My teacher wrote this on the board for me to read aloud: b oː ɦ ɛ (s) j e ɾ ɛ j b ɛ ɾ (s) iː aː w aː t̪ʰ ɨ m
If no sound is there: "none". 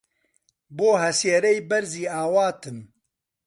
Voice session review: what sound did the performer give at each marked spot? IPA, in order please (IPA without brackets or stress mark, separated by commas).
s, z